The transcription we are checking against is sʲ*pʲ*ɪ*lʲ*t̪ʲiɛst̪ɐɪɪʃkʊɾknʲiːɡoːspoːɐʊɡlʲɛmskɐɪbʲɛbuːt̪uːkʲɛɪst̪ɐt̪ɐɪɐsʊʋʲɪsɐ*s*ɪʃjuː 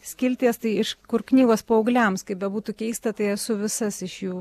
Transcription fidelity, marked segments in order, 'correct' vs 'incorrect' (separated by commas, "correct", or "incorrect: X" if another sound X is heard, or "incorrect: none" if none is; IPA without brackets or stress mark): incorrect: kʲ, correct, correct